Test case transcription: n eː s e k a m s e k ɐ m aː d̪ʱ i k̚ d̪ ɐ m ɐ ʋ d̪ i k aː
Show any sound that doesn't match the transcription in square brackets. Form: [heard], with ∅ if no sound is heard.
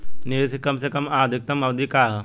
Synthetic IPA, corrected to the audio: n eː s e k [ɐ] m s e k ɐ m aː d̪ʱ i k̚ [t̪] ɐ m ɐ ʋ d̪ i k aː